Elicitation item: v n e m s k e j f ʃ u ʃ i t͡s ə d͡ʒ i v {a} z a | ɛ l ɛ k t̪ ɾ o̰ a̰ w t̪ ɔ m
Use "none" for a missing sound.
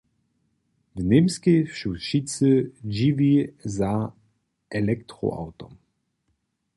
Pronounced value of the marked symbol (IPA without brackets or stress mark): i